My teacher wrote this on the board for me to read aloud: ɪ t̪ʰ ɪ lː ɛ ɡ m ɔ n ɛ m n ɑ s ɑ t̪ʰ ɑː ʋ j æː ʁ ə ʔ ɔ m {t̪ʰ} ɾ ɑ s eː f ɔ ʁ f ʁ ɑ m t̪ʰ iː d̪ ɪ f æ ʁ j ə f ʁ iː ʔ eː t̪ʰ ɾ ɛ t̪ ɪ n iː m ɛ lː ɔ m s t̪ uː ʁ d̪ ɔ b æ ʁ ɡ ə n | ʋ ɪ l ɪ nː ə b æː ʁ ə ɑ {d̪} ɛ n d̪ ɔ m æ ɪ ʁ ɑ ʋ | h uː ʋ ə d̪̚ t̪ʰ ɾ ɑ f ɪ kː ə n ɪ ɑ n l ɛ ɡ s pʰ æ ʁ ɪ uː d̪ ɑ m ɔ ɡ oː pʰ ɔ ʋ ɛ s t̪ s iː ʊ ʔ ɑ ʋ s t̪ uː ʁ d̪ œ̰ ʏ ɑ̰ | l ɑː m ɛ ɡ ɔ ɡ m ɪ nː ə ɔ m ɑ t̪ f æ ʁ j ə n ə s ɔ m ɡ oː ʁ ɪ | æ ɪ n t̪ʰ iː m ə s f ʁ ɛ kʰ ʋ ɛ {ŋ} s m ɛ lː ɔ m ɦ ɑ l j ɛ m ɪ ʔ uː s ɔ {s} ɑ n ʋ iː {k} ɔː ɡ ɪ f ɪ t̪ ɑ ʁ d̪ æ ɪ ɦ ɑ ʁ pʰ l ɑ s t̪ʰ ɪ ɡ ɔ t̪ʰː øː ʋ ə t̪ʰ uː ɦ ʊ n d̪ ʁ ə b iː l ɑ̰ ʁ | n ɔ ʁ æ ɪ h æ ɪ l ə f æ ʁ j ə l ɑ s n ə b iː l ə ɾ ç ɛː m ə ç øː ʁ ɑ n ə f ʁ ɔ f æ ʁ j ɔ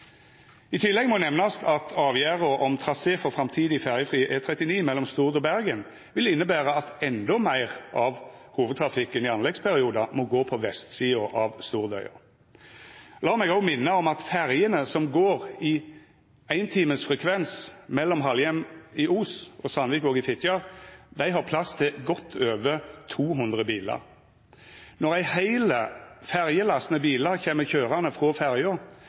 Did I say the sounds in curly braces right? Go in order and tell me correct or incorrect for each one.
correct, incorrect: t̪, incorrect: n, correct, correct

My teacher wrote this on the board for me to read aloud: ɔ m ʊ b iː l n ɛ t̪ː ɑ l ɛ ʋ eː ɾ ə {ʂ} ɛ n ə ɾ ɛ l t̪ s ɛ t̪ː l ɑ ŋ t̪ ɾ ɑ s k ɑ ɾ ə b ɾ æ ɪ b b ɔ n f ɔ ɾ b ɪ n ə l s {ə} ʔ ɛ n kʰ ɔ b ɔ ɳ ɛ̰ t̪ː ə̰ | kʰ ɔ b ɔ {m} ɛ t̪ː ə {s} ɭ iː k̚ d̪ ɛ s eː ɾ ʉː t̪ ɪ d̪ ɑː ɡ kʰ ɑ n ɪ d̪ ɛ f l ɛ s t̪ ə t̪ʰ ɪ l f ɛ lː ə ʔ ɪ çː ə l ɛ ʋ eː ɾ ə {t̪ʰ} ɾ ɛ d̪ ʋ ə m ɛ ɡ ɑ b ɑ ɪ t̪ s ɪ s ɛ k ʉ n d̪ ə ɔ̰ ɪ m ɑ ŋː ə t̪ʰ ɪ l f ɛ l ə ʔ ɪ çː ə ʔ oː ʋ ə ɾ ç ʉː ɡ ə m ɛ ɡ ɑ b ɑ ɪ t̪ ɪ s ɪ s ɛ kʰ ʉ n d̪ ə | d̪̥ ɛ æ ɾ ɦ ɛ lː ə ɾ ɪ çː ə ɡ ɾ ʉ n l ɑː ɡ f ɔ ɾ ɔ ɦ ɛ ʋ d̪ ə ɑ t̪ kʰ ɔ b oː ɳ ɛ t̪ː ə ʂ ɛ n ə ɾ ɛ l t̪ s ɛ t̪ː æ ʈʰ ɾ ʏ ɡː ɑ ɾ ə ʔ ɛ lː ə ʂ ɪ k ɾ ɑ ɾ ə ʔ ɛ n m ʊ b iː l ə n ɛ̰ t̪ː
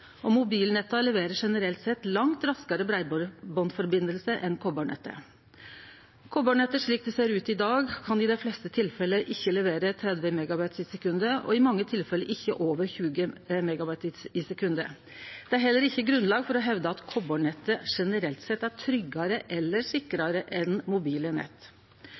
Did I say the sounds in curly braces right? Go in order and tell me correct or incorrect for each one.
correct, correct, incorrect: ɳ, incorrect: ʂ, correct

